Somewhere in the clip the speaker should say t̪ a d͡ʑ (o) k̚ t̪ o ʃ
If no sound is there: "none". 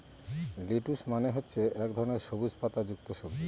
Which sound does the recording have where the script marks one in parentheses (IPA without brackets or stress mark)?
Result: u